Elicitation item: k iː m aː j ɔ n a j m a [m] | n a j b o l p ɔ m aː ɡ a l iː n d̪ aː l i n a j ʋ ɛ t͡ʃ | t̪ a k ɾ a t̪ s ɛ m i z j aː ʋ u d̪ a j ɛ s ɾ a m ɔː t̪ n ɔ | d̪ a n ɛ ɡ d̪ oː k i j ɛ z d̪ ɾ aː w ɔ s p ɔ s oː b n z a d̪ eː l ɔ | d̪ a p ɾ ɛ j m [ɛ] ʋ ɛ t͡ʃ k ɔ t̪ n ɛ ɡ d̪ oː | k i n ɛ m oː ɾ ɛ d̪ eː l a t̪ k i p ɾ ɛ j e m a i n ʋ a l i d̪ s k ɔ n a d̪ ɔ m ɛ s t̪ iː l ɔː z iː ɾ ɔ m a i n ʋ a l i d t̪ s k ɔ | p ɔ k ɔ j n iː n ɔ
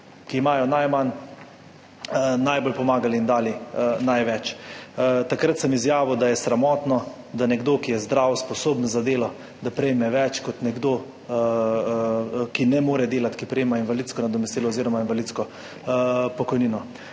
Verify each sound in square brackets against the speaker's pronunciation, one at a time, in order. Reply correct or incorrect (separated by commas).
incorrect, correct